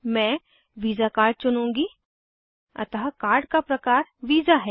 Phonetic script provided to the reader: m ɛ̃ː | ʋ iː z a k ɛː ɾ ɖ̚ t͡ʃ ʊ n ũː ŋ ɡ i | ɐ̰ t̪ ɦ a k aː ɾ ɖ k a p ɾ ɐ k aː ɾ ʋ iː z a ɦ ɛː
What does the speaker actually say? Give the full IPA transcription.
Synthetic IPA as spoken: m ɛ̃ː | ʋ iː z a k aː ɾ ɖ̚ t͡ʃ ʊ n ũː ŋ ɡ i | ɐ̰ t̪ ɦ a k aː ɾ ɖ k a p ɾ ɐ k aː ɾ ʋ iː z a ɦ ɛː

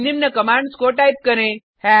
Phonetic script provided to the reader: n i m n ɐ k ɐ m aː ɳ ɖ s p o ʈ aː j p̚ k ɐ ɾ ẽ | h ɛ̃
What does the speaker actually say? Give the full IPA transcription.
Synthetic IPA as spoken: n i m n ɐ k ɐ m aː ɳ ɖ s k o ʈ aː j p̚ k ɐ ɾ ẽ | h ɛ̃

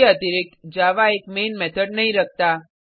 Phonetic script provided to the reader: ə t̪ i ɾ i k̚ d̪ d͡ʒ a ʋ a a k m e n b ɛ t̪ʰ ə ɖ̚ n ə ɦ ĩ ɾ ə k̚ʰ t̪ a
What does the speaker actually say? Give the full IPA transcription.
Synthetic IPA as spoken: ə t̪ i ɾ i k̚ t̪ d͡ʒ a ʋ a e k m e n m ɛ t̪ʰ ə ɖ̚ n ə ɦ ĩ ɾ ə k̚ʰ t̪ a

